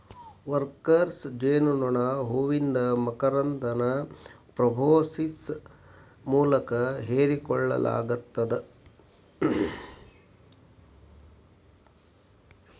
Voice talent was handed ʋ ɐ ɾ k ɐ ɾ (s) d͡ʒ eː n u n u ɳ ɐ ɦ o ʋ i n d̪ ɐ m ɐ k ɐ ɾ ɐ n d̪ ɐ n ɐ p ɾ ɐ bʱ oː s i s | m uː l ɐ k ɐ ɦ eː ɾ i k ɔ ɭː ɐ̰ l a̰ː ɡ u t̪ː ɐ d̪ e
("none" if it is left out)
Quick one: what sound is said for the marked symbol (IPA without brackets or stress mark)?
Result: s